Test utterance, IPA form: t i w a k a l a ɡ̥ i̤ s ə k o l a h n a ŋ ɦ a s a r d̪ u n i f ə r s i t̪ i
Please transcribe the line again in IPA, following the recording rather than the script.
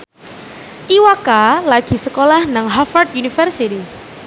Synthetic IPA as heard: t i w a k a l a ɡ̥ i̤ s ə k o l a h n a ŋ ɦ a f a r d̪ u n i f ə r s i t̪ i

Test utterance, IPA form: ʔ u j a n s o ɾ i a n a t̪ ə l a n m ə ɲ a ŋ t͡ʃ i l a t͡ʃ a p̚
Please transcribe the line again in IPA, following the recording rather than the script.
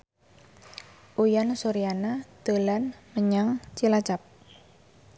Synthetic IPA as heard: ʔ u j a n s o ɾ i a n a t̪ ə l a n m ə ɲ a ŋ t͡ʃ i l a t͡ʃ a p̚

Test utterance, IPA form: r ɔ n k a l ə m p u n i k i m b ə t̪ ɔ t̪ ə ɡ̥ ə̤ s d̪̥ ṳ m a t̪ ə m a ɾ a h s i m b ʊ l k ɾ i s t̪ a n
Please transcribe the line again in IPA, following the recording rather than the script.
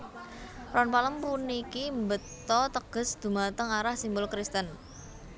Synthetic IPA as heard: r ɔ n p a l ə m p u n i k i m b ə t̪ ɔ t̪ ə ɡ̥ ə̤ s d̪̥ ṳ m a t̪ ə ŋ a ɾ a h s i m b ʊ l k ɾ i s t̪ ə n

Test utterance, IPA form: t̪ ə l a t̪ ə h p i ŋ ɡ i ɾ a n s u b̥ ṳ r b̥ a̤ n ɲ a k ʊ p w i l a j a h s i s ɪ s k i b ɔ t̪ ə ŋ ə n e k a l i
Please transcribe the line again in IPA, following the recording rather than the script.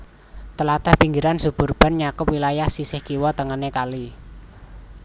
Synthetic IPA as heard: t̪ ə l a t̪ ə h p i ŋ ɡ i ɾ a n s u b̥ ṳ r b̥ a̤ n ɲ a k ʊ p w i l a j a h s i s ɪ h k i w ɔ t̪ ə ŋ ə n e k a l i

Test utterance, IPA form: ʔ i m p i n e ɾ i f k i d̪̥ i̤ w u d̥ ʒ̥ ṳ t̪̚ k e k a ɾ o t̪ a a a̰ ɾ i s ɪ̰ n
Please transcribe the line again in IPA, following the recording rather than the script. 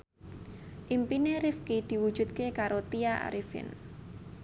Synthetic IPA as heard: ʔ i m p i n e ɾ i f k i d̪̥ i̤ w u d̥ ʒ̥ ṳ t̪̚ k e k a ɾ o t̪ i a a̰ ɾ i f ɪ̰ n

